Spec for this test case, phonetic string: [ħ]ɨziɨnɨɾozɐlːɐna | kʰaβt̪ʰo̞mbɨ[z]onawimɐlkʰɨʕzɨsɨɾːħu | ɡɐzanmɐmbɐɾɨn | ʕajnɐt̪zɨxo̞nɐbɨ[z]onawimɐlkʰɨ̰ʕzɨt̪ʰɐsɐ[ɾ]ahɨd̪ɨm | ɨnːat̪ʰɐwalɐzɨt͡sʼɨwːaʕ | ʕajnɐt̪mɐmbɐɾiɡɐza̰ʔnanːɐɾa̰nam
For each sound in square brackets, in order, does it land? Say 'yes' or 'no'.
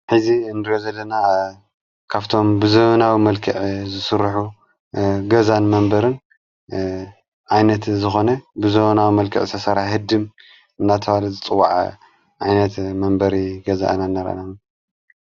yes, yes, yes, yes

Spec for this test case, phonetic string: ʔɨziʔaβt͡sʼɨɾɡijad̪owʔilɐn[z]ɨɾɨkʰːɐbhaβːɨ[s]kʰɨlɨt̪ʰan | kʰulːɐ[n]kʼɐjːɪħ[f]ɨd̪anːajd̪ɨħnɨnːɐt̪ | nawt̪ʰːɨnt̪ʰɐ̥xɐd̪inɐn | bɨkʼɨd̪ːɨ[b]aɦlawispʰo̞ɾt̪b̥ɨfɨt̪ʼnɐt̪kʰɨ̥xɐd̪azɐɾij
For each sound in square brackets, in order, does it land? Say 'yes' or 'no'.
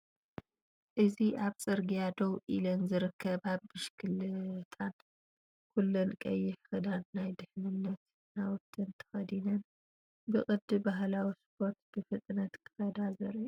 yes, no, yes, no, yes

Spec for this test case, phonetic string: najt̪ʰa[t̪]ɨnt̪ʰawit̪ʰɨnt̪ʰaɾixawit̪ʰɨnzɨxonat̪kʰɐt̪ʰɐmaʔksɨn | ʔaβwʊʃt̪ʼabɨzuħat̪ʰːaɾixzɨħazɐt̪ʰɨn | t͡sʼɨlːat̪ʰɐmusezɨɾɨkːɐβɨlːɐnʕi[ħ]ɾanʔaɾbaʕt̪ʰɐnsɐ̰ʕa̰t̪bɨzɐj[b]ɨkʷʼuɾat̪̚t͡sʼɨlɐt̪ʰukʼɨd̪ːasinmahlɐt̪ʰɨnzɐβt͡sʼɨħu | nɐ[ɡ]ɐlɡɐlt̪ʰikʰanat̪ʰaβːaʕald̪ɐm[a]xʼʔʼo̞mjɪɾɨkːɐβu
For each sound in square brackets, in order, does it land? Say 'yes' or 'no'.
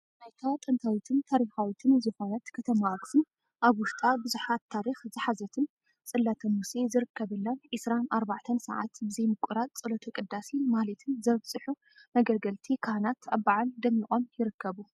no, no, no, yes, no

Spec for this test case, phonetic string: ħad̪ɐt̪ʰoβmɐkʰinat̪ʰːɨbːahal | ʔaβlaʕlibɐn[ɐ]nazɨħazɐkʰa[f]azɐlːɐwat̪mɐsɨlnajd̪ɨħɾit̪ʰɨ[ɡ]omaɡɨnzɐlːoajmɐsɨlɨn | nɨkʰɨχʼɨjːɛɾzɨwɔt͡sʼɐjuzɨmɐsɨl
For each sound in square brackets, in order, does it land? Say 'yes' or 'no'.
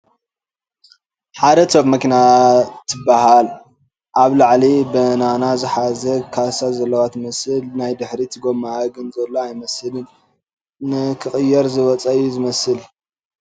no, no, yes

